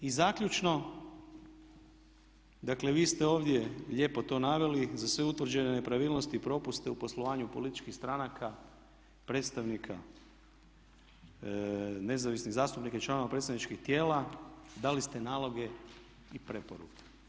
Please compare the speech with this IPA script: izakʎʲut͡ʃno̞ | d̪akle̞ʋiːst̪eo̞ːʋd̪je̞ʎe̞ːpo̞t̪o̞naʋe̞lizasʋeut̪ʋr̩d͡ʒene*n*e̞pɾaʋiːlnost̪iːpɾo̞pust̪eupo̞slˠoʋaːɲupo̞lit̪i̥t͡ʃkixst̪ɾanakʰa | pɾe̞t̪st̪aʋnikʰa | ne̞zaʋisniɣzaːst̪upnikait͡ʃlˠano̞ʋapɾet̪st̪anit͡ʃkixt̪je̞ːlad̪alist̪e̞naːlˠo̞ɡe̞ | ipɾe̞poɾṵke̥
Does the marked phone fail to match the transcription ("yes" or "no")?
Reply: no